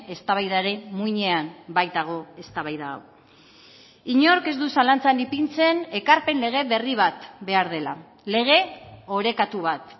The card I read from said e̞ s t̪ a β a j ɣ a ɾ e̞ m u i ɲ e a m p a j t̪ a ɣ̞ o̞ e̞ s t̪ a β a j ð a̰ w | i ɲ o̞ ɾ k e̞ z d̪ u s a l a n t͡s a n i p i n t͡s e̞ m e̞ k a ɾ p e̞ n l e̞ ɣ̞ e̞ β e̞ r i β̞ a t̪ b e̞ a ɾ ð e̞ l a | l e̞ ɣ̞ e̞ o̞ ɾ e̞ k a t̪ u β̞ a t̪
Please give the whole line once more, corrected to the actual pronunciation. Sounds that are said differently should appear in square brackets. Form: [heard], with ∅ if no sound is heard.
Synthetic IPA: e̞ s t̪ a β a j [ð] a ɾ e̞ m u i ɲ e a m [b] a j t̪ a ɣ̞ o̞ e̞ s t̪ a β a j ð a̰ w | i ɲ o̞ ɾ k e̞ z d̪ u s a l a n t͡s a n i p i n t͡s e̞ [n] e̞ k a ɾ p e̞ n l e̞ ɣ̞ e̞ β e̞ r i β̞ a t̪ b e̞ a ɾ ð e̞ l a | l e̞ ɣ̞ e̞ o̞ ɾ e̞ k a t̪ u β̞ a t̪